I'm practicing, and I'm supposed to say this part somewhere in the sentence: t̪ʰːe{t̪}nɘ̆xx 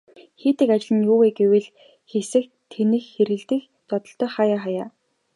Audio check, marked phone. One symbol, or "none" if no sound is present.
none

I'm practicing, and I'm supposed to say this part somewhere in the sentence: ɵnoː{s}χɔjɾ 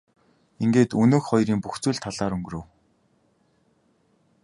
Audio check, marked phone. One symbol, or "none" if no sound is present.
x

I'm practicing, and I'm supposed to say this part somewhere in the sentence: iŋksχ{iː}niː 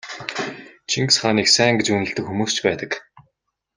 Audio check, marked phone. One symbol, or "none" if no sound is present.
aː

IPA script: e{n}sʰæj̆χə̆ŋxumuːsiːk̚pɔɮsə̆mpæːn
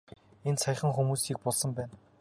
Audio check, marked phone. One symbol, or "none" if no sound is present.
n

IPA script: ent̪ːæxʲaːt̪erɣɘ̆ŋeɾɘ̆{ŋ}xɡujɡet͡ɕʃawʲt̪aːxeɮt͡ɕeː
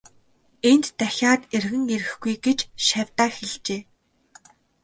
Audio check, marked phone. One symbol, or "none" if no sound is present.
none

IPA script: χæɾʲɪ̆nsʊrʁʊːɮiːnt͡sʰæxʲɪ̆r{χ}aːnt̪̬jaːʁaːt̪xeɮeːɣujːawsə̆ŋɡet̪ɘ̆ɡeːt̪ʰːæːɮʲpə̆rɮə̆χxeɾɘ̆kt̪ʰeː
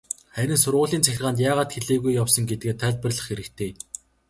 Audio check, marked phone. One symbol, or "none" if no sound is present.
ʁ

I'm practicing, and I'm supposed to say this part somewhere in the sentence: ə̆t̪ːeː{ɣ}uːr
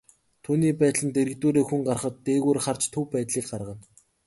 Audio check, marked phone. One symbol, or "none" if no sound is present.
ɣ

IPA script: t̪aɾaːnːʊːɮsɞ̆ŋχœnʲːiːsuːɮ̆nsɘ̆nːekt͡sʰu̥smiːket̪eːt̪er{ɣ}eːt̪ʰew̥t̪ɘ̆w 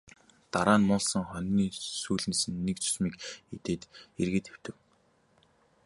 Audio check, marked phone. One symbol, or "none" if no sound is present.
ɣ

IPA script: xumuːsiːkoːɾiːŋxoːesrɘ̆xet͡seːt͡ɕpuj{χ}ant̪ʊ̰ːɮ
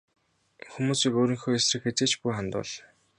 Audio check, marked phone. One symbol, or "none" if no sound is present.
χ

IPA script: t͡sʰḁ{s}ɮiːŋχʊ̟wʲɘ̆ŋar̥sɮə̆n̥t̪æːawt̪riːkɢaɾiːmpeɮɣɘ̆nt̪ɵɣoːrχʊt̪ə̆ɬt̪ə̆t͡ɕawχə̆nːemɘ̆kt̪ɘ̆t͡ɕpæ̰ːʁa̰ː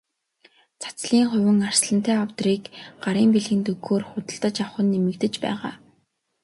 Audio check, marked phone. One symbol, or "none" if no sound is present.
t͡s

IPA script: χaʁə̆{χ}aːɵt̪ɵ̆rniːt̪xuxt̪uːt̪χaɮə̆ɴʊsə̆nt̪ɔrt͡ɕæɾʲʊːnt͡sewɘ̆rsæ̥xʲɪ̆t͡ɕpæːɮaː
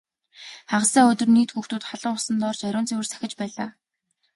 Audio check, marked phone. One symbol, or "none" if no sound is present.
s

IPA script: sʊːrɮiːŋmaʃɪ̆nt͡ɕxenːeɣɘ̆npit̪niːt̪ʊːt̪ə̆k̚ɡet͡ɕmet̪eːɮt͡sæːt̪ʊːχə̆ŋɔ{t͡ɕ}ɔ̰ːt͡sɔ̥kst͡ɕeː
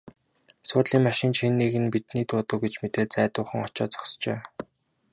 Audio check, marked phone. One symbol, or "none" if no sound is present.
t͡ɕ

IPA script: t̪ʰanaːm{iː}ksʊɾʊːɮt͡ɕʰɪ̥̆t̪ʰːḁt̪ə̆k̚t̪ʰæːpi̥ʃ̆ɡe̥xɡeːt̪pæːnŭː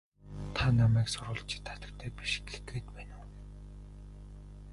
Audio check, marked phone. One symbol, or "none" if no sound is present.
æː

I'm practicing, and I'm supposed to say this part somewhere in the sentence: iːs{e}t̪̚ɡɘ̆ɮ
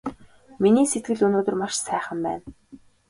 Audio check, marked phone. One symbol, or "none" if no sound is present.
e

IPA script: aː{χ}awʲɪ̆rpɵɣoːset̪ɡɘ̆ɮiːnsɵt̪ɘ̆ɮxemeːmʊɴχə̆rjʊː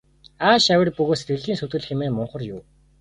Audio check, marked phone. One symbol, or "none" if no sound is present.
ʃ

